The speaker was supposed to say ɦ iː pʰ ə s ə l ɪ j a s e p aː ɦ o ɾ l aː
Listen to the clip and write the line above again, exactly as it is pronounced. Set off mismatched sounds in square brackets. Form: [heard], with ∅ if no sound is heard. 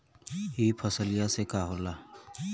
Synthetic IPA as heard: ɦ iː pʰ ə s ə l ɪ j a s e [k] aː ɦ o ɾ l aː